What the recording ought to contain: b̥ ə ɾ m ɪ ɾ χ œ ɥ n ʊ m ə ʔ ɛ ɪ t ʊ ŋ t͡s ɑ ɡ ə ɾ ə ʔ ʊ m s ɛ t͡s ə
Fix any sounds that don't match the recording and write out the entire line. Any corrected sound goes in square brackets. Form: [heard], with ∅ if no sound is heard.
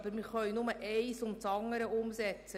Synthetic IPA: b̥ ə ɾ m ɪ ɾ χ œ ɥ n ʊ m ə ʔ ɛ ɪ [s] ʊ [m] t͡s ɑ [ŋ] ə ɾ ə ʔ ʊ m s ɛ t͡s ə